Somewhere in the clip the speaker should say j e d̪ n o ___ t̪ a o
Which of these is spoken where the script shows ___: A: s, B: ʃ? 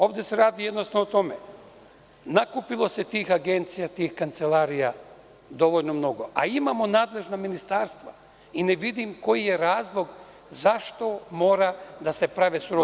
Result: A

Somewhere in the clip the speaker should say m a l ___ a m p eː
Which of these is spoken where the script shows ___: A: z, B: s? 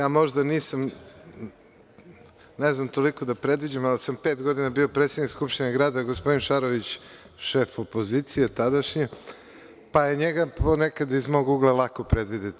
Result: B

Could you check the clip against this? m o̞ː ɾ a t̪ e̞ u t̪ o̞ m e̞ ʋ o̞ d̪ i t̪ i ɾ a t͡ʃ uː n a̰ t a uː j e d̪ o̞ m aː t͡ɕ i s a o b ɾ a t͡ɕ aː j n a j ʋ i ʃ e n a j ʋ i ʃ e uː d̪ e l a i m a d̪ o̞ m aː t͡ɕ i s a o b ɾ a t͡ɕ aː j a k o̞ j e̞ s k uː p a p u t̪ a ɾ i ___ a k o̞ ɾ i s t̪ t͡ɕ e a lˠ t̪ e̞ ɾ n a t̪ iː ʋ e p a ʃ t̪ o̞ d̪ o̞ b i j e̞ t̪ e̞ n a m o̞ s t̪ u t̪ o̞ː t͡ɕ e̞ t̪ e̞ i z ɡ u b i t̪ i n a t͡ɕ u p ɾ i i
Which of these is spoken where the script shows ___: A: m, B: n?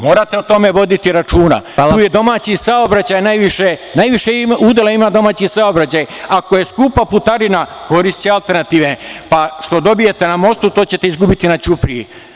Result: B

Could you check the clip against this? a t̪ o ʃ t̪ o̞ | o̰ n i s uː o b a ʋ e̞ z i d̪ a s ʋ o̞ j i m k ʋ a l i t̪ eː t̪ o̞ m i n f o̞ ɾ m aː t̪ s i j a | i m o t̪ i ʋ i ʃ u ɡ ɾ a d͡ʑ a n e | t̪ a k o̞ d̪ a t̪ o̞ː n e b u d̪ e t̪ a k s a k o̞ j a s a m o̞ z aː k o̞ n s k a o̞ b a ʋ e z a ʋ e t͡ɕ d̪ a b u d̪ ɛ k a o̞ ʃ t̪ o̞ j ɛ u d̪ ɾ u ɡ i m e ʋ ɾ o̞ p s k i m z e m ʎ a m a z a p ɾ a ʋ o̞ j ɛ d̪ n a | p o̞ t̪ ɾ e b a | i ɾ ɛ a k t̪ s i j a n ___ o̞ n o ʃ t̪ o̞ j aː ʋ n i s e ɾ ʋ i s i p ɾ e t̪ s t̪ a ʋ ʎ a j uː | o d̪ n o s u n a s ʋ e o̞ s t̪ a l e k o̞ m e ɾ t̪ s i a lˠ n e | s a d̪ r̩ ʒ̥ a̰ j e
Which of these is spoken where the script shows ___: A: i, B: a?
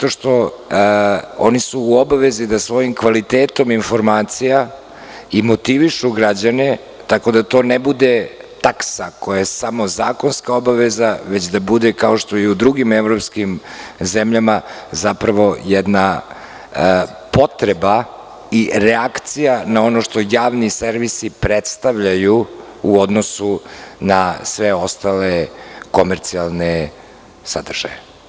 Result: B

